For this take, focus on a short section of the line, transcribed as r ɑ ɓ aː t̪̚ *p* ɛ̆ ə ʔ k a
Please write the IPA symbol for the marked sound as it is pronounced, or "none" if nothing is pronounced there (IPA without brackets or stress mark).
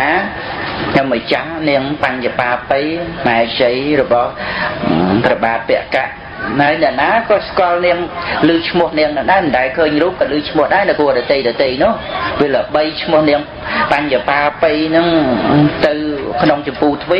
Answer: p